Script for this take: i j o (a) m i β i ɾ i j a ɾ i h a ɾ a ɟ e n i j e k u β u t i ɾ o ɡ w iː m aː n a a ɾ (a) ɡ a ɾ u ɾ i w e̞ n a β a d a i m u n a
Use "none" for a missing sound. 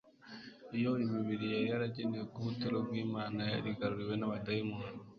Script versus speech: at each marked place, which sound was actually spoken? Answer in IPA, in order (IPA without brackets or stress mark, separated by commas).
i, i